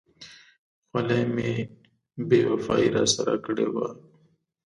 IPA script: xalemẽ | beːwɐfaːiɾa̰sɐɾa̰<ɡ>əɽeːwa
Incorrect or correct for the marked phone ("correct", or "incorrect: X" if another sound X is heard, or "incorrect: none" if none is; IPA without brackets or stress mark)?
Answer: incorrect: k